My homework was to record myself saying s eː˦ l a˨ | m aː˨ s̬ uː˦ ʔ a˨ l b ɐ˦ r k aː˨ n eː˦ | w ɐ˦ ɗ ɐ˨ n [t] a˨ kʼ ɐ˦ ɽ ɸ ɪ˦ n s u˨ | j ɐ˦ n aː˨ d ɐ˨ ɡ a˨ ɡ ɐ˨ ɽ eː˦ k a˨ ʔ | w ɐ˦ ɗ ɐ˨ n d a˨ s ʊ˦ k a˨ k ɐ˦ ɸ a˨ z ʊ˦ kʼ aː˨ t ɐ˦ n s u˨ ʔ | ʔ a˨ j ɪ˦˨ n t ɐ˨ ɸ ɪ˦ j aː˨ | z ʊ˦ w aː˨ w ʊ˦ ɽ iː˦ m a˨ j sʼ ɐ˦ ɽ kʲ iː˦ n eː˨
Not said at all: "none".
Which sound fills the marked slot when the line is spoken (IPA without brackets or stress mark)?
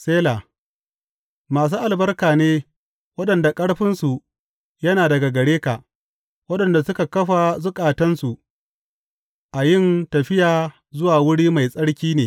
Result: d